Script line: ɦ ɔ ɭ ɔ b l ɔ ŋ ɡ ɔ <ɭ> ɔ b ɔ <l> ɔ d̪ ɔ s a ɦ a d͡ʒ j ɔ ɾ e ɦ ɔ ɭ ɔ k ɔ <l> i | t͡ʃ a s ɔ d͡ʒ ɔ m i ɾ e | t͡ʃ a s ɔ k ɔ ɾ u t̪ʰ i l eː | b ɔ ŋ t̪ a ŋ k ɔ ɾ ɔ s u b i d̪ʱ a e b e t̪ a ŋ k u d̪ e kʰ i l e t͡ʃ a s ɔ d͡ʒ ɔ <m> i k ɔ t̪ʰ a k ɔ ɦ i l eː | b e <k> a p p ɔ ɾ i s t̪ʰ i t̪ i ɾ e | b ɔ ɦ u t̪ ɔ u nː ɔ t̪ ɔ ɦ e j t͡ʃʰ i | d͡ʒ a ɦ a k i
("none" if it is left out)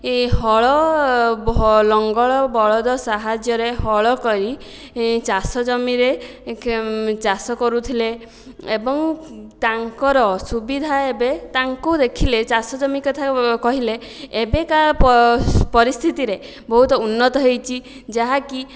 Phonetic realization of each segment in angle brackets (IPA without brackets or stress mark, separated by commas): ɭ, ɭ, ɾ, m, k